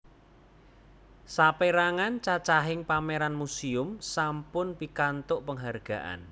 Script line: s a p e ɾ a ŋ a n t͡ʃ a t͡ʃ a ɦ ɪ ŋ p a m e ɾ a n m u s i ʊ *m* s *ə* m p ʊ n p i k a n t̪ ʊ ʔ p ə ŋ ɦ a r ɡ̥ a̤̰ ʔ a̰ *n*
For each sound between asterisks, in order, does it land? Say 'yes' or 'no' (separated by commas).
yes, no, yes